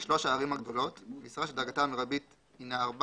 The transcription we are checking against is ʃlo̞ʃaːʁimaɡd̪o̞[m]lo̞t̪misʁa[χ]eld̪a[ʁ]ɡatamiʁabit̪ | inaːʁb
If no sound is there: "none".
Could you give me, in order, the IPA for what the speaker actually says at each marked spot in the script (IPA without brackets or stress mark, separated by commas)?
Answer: none, ʃ, ʁ